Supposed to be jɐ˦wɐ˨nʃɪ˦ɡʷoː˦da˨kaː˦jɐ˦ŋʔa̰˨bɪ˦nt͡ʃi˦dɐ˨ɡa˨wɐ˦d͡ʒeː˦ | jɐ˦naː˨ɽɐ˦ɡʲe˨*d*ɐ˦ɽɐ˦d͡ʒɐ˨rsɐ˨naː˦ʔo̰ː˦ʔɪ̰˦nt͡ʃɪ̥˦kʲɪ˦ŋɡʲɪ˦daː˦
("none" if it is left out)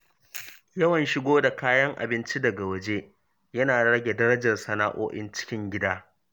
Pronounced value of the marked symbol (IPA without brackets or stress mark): d